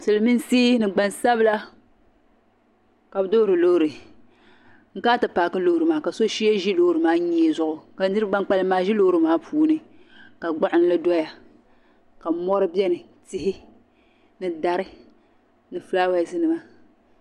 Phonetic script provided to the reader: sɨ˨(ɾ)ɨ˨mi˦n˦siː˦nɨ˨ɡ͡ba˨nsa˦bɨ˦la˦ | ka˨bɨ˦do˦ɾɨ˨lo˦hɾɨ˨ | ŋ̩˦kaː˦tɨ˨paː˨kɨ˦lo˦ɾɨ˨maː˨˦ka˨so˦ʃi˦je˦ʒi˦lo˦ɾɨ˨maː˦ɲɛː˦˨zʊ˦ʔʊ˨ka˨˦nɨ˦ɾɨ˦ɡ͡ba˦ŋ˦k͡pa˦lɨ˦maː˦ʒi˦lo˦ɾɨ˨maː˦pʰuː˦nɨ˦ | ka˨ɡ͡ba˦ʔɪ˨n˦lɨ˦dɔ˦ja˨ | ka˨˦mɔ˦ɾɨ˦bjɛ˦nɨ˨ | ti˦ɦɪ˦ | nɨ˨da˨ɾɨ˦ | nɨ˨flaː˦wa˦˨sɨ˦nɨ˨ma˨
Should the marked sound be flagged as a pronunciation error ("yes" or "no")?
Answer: yes